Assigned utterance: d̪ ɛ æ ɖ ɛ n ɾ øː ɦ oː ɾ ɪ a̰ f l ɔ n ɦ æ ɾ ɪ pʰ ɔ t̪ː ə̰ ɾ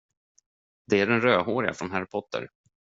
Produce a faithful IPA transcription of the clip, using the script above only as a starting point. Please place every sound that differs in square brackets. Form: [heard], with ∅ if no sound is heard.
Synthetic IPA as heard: d̪ ɛ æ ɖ ɛ n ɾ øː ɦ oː ɾ ɪ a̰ f [ɾ] ɔ n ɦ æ ɾ ɪ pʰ ɔ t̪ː ə̰ ɾ